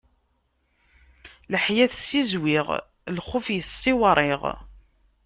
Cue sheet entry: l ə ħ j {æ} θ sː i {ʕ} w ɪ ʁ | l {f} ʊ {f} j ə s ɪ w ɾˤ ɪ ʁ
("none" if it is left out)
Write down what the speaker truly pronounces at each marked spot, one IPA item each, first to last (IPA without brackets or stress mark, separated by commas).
æ, z, χ, f